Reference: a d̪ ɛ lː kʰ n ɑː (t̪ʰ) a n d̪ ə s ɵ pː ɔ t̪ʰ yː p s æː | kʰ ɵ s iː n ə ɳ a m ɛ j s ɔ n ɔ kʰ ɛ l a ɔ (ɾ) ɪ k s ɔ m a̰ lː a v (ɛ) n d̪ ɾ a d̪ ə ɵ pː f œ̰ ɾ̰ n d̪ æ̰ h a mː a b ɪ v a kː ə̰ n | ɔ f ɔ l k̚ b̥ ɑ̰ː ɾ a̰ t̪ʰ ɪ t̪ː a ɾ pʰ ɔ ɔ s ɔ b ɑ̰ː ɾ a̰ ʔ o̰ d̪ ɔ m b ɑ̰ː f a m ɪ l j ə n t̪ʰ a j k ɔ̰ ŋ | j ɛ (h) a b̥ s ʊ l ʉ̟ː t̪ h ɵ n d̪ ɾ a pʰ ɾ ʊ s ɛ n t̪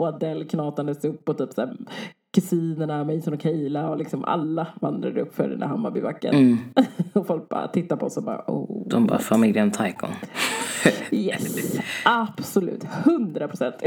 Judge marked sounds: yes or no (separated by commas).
no, no, no, no